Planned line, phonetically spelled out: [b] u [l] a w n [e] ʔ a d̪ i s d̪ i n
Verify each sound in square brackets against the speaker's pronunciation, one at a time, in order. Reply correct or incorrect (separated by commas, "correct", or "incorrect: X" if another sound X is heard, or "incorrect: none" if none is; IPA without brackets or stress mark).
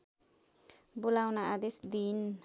correct, correct, incorrect: a